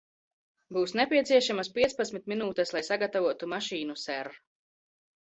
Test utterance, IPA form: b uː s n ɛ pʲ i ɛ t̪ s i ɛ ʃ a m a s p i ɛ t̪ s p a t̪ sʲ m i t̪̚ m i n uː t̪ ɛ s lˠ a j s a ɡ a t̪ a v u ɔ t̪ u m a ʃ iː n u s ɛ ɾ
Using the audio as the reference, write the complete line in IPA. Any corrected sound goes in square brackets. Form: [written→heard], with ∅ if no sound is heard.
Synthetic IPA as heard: b uː s n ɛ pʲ i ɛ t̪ s i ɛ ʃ a m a s p i ɛ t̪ s p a t̪ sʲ m i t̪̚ m i n uː t̪ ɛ s lˠ a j s a ɡ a t̪ a v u ɔ t̪ u m a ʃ iː n u s ɛ ɾ